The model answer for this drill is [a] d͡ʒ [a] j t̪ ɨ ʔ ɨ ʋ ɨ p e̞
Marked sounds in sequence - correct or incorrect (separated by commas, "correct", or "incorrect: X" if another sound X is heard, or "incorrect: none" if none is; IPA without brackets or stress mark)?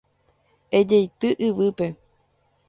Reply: incorrect: e, incorrect: e